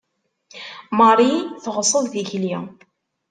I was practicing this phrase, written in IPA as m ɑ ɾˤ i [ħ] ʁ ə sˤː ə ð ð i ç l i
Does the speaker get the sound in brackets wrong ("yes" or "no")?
yes